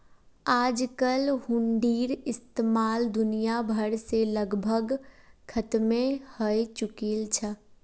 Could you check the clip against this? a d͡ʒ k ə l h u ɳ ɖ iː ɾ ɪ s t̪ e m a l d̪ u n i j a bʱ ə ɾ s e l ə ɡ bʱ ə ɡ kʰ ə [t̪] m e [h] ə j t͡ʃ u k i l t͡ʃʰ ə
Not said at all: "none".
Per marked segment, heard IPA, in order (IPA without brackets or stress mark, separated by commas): t̪, h